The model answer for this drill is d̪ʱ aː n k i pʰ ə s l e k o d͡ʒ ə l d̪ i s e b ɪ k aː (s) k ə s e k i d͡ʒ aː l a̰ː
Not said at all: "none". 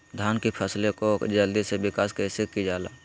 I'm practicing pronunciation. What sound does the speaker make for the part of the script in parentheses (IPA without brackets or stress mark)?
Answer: s